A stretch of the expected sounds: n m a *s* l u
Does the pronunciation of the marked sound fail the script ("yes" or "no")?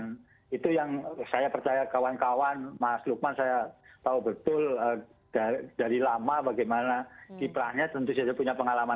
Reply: no